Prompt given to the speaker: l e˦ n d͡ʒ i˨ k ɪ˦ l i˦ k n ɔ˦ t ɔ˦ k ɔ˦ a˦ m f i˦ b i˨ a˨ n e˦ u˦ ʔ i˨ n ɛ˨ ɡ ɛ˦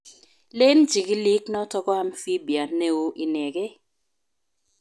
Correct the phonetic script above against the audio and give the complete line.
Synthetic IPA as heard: l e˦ n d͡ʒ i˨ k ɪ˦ l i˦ k n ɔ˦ t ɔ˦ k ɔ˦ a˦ m f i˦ b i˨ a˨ n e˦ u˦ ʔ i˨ n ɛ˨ ɡ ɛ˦